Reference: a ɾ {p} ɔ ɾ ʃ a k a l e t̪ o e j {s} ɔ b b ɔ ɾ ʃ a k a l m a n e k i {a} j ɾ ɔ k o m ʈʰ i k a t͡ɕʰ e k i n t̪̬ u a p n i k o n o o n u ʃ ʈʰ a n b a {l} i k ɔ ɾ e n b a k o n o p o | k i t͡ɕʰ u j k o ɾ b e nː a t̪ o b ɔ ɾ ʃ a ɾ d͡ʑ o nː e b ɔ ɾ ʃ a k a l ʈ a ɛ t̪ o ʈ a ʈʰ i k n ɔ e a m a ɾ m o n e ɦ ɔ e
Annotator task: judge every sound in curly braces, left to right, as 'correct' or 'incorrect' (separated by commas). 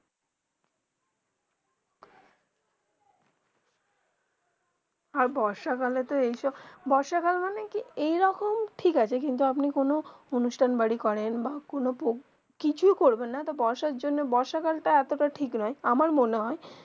incorrect, incorrect, incorrect, incorrect